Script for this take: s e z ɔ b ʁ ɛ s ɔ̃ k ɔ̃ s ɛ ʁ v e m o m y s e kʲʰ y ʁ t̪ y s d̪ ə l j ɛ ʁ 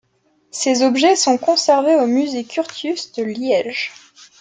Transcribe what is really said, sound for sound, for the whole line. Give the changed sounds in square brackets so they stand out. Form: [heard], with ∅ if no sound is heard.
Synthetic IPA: s e z ɔ b [ʒ] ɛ s ɔ̃ k ɔ̃ s ɛ ʁ v e [∅] o m y [z] e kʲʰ y ʁ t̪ y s d̪ ə l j ɛ [ʒ]